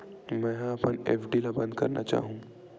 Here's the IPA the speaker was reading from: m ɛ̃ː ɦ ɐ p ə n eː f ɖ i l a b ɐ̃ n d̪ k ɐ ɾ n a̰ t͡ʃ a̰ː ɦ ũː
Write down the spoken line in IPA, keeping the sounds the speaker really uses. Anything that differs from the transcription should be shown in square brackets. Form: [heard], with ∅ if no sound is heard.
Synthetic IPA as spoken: m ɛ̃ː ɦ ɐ p ə n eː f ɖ i l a b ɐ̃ n d̪ k ɐ ɾ n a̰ t͡ʃ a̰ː ɦ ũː